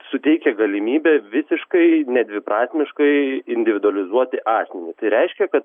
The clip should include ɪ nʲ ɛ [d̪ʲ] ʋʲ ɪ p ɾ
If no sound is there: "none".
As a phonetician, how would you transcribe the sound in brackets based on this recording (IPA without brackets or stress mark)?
d̪ʲ